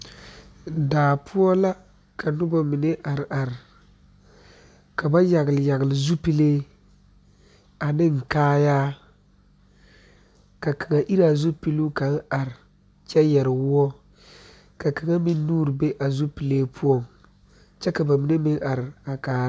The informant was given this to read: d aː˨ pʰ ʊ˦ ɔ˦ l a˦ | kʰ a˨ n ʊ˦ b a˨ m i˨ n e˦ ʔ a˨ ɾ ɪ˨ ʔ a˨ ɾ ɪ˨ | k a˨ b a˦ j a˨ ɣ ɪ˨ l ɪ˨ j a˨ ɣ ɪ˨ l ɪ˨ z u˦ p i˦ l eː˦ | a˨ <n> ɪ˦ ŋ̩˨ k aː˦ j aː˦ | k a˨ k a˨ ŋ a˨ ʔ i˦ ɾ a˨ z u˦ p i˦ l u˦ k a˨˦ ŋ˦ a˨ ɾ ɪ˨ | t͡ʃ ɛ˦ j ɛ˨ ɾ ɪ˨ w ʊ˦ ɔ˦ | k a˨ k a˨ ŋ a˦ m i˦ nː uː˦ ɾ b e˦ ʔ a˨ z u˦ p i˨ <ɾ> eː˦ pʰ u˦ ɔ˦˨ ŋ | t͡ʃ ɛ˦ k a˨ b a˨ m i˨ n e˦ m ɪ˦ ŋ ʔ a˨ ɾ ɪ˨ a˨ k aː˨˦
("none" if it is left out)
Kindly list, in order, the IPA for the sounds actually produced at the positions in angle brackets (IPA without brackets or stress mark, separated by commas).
n, l